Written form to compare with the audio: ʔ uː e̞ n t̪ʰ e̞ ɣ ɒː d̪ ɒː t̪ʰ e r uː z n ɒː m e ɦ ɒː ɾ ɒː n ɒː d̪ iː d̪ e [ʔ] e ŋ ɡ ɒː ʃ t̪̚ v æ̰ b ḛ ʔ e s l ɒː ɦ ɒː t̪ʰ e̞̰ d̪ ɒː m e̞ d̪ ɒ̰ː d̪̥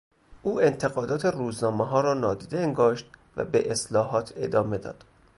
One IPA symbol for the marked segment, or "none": none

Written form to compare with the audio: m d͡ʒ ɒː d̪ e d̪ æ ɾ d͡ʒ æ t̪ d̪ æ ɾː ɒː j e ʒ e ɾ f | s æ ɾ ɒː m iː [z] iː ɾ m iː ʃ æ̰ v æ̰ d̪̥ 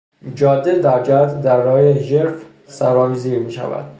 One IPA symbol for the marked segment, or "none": z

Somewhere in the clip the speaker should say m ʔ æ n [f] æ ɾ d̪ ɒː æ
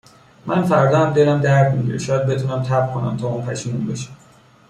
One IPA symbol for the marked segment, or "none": f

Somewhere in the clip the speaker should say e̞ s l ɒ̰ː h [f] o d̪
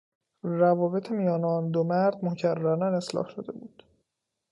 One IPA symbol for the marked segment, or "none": ʃ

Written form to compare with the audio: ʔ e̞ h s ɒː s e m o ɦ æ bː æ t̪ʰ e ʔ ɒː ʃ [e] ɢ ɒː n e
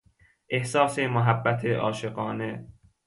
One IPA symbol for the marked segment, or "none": e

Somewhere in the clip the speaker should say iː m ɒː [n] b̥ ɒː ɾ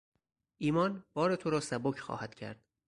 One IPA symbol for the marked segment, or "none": n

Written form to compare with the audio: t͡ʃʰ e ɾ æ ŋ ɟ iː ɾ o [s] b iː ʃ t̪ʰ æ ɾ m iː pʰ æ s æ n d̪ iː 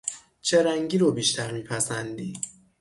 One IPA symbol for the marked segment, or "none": none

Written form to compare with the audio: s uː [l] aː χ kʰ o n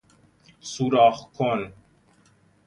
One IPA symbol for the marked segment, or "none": ɾ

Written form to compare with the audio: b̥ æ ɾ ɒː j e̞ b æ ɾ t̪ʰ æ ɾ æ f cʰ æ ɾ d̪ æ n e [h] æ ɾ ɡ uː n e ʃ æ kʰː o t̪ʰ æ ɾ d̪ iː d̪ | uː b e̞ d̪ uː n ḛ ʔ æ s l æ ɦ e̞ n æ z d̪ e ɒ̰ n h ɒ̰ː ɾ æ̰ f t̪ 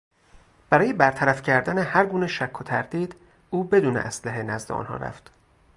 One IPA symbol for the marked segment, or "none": h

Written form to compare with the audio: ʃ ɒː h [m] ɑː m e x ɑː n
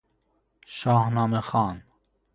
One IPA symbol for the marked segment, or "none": n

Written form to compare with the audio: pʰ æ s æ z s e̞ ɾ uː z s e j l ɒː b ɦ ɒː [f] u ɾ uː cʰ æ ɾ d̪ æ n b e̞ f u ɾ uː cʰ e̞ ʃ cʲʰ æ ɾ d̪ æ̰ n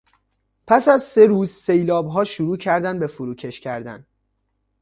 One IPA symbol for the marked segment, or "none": ʃ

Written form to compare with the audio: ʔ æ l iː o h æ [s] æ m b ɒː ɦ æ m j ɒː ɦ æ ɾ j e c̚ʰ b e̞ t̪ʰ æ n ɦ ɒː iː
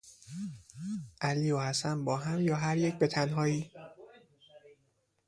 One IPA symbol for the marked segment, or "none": s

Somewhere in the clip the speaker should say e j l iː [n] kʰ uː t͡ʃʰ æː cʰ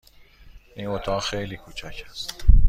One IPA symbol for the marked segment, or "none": none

